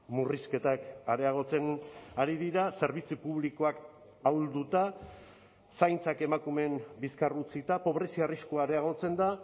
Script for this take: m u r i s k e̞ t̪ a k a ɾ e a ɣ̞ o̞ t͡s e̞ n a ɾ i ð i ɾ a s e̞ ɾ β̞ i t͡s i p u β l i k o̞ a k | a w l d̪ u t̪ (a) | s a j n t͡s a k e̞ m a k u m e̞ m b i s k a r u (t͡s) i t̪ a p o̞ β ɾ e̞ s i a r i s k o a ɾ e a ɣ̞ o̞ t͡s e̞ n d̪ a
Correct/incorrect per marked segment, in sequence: correct, correct

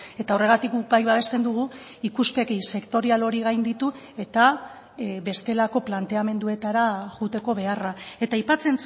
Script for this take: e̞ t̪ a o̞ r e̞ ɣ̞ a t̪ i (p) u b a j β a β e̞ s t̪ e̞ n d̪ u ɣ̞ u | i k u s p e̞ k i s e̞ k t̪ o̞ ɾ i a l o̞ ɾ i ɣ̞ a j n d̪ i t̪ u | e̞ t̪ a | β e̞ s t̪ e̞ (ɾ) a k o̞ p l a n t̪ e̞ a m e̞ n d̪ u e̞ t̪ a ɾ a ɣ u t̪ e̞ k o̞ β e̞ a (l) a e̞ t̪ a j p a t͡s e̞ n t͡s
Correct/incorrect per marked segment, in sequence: incorrect: k, incorrect: l, incorrect: r

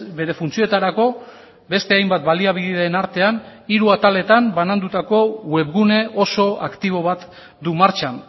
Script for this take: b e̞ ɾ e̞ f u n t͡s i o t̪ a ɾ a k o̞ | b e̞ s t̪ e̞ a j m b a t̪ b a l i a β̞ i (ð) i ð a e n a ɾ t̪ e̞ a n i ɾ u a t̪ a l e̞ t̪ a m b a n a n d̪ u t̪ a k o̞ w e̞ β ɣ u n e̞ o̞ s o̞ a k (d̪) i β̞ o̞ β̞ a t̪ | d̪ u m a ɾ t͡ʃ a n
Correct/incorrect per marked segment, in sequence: correct, incorrect: t̪

